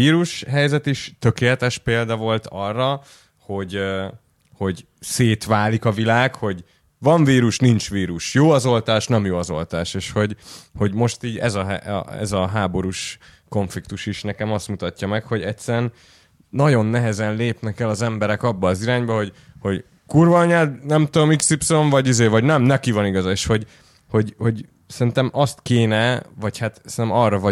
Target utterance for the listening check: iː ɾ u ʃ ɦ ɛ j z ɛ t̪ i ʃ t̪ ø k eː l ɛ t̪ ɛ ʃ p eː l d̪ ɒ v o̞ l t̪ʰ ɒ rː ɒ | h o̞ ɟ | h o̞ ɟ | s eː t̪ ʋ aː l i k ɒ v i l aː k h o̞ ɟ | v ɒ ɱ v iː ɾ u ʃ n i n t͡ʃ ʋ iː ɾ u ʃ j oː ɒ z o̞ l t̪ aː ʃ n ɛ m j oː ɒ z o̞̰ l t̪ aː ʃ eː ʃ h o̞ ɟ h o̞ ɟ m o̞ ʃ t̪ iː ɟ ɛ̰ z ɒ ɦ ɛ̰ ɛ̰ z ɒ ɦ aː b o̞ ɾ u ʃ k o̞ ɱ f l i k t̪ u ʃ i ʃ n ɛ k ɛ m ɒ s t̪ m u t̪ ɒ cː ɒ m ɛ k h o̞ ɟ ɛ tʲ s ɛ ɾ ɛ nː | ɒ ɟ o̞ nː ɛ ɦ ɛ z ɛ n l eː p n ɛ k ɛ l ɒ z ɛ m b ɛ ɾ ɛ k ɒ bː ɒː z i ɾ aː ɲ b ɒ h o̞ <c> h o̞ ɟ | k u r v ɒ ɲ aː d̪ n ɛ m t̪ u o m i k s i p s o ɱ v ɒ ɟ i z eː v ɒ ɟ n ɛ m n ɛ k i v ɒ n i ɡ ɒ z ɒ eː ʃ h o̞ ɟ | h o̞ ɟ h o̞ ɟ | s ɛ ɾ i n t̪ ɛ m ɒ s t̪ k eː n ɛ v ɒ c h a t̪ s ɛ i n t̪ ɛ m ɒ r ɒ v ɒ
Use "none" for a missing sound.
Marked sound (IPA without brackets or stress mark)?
ɟ